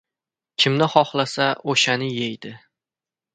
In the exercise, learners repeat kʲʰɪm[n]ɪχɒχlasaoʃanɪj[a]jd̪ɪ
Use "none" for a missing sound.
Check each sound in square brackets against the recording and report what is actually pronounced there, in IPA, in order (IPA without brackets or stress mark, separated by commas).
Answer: n, e